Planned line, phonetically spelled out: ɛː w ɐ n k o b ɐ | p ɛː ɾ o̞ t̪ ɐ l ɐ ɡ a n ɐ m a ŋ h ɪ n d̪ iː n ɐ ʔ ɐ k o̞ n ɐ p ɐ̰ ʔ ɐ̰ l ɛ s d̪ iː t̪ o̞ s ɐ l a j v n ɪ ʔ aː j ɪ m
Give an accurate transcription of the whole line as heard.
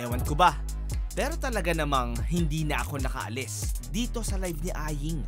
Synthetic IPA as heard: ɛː w ɐ n k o b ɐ | p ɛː ɾ o̞ t̪ ɐ l ɐ ɡ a n ɐ m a ŋ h ɪ n d̪ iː n ɐ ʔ ɐ k o̞ n ɐ k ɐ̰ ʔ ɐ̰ l ɛ s d̪ iː t̪ o̞ s ɐ l a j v n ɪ ʔ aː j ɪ ŋ